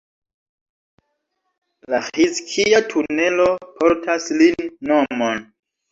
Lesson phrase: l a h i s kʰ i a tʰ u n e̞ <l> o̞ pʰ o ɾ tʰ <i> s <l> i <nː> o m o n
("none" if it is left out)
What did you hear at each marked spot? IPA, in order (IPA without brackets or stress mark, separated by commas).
l, a, l, nː